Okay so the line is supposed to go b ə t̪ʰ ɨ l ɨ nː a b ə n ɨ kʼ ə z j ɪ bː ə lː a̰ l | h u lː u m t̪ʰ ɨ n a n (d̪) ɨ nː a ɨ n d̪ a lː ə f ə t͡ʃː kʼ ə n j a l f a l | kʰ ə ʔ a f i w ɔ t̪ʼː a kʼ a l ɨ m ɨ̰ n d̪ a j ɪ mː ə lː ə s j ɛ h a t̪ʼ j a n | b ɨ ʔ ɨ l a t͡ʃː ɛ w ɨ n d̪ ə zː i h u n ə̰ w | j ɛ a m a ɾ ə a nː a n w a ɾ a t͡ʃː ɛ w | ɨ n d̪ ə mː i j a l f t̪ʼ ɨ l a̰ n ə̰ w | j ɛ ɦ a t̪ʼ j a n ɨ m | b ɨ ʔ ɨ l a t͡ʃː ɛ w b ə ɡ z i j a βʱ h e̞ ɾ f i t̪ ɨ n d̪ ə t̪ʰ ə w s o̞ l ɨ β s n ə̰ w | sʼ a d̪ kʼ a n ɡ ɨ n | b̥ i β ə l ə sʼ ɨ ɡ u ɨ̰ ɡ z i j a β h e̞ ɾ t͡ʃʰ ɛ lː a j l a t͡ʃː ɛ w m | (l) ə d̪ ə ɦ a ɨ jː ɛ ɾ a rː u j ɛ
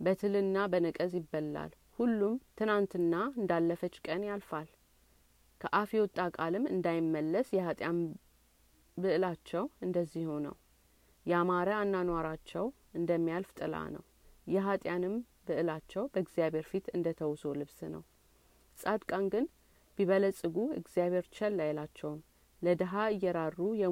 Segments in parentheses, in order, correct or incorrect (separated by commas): incorrect, correct